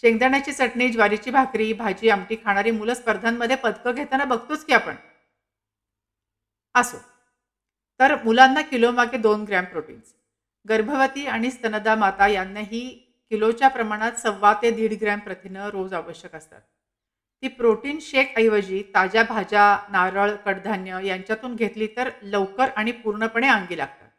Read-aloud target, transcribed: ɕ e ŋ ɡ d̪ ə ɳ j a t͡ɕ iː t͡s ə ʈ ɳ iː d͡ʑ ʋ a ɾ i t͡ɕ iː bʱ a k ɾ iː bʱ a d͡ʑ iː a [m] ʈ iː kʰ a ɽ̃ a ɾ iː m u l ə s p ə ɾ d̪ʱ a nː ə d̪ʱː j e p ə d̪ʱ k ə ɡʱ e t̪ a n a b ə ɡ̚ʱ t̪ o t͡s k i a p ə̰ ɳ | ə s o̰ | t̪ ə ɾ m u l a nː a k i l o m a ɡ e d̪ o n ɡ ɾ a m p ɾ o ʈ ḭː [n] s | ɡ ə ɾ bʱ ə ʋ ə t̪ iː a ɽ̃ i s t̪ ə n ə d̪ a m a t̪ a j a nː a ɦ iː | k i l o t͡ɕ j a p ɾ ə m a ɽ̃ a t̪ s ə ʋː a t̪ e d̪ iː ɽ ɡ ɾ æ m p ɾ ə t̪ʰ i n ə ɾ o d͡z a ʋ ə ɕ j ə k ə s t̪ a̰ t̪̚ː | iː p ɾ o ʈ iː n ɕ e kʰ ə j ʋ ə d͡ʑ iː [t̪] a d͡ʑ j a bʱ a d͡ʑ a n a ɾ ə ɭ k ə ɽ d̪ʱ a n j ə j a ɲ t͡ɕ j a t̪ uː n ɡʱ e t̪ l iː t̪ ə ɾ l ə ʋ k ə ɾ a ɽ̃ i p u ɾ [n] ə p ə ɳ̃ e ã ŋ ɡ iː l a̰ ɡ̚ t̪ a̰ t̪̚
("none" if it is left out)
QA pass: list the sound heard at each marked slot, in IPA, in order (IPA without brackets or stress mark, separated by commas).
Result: m, n, t̪, ɳ